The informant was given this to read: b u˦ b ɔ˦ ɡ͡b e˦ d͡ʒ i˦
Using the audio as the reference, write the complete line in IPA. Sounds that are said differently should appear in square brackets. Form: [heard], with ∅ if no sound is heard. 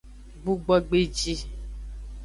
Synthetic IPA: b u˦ [ɡ͡b] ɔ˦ ɡ͡b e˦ d͡ʒ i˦